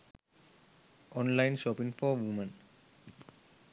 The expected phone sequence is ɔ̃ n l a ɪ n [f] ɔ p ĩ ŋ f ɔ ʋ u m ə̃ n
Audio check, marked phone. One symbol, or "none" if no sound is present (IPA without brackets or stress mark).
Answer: ʃ